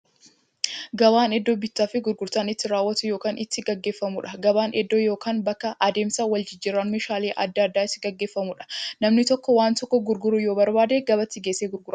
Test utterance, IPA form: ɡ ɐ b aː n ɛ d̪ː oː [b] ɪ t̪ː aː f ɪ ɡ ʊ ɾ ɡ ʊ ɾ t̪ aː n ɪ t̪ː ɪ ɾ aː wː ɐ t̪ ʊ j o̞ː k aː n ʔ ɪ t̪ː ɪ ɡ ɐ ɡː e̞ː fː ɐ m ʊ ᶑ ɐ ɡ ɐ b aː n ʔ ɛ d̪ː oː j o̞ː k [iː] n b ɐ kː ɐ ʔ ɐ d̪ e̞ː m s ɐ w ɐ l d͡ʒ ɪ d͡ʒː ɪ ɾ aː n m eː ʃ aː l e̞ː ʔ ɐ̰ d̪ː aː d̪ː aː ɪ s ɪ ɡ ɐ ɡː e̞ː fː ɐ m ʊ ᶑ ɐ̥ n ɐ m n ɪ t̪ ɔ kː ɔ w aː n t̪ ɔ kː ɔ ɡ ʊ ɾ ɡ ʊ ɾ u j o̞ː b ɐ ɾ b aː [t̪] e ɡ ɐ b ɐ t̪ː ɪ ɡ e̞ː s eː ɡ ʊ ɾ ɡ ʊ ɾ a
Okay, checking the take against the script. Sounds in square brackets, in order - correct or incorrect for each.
correct, incorrect: aː, incorrect: d̪

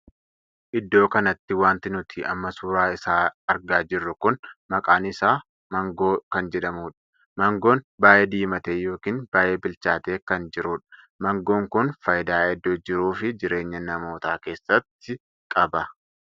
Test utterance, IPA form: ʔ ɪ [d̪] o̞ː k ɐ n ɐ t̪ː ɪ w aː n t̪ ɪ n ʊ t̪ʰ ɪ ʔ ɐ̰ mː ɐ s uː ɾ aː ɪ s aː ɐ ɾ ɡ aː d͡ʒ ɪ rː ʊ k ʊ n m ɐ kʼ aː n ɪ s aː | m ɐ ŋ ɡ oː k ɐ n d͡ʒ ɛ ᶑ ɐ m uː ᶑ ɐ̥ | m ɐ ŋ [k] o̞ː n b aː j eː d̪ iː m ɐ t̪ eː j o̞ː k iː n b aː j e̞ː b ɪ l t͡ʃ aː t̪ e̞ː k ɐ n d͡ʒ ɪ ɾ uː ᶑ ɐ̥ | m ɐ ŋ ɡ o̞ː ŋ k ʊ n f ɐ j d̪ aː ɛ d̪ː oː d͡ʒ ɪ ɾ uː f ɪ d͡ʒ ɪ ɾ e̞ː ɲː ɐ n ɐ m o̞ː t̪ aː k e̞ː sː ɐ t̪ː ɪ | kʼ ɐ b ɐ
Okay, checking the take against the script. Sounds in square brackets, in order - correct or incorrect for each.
incorrect: d̪ː, incorrect: ɡ

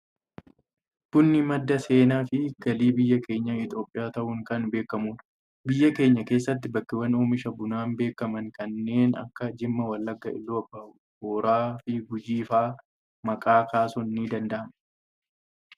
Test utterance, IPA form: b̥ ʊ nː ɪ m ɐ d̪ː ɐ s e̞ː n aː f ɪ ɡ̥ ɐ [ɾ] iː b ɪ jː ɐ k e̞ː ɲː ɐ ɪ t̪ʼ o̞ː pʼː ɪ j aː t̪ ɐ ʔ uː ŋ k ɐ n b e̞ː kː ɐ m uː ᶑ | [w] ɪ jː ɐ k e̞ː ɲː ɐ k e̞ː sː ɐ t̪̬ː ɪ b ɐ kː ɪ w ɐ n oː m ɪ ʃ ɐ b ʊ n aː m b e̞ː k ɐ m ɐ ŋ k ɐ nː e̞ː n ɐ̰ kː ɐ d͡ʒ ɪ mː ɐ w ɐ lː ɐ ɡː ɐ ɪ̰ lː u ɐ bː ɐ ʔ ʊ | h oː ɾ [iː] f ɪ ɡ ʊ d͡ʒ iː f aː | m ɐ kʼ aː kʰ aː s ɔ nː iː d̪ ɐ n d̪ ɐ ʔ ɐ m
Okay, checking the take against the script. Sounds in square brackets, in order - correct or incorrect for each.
incorrect: l, incorrect: b, incorrect: aː

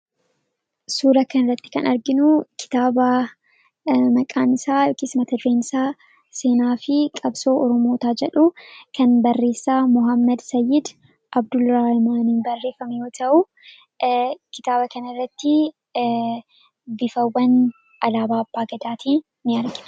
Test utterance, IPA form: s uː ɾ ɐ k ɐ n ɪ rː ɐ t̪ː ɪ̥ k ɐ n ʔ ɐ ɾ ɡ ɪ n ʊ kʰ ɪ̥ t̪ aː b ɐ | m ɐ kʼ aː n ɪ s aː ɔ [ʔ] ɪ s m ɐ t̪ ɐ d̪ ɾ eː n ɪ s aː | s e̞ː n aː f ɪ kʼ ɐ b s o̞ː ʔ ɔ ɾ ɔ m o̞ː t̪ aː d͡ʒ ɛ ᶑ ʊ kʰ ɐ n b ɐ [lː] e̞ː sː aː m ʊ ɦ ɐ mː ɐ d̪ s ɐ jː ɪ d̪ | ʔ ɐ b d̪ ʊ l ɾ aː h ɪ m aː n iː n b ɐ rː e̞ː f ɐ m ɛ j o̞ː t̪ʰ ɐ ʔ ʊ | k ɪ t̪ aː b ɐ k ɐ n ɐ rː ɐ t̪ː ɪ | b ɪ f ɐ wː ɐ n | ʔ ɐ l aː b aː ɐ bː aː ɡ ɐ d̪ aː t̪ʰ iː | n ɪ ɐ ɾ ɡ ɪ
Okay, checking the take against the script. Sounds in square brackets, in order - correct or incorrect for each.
incorrect: k, incorrect: rː

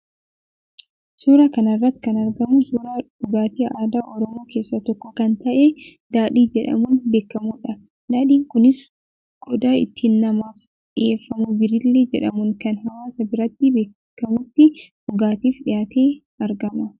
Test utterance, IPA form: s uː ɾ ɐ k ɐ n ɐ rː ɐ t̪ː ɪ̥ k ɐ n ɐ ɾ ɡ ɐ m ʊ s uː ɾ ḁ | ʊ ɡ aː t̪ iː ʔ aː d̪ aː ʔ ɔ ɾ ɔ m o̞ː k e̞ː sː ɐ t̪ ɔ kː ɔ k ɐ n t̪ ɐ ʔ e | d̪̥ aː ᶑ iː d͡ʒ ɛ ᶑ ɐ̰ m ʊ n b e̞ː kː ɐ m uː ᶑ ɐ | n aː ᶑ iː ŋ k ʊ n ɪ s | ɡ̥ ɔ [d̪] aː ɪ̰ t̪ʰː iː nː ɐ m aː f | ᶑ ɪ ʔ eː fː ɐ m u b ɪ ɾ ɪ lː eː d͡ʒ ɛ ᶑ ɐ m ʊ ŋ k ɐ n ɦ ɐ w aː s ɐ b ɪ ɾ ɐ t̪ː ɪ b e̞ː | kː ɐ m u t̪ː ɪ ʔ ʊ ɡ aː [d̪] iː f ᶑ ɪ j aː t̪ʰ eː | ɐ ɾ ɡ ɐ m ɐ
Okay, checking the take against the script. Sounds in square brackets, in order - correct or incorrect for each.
correct, incorrect: t̪

